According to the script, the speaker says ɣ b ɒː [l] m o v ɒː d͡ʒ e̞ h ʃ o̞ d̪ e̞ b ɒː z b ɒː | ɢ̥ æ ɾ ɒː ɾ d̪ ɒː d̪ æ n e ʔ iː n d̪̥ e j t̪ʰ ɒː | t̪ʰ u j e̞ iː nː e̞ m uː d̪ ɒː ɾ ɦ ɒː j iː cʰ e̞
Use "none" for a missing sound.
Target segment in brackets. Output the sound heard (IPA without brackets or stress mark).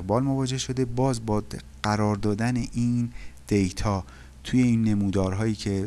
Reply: l